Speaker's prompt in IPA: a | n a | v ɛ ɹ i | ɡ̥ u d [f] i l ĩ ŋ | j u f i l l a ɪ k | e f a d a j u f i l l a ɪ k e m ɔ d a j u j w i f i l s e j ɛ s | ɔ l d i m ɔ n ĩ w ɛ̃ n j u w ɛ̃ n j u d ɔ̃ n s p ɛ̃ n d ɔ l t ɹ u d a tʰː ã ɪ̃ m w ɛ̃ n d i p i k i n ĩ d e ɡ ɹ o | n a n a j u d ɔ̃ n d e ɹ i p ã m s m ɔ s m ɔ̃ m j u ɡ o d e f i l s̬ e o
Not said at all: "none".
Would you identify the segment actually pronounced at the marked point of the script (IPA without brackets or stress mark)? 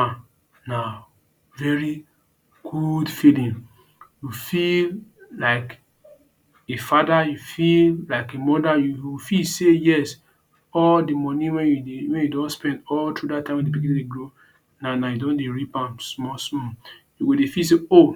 f